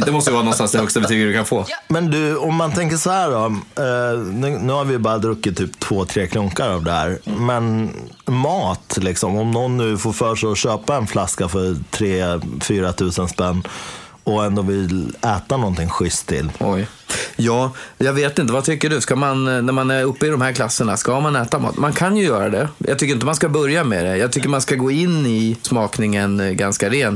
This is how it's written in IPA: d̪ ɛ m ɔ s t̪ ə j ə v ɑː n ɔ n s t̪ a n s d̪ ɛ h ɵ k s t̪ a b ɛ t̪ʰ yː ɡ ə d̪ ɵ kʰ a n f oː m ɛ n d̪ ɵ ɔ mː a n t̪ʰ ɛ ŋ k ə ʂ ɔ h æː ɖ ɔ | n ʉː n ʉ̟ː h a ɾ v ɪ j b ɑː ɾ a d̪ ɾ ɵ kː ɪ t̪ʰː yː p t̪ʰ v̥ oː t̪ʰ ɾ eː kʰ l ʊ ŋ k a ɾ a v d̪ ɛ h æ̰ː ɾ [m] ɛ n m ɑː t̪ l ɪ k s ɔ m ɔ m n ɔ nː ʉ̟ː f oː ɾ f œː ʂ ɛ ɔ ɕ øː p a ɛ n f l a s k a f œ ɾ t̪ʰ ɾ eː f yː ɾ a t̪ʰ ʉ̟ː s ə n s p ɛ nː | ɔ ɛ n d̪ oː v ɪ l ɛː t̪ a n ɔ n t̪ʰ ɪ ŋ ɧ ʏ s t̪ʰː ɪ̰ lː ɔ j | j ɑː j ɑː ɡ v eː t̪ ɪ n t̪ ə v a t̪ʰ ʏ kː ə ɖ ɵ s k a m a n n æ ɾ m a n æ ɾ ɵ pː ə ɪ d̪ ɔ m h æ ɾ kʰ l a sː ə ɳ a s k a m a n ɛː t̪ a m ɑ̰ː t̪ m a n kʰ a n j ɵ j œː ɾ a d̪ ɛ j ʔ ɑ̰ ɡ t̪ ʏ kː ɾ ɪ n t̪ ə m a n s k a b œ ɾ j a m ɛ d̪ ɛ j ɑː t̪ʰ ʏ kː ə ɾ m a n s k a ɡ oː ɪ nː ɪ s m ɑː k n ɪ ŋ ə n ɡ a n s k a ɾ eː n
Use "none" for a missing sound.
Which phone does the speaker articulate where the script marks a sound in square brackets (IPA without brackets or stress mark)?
m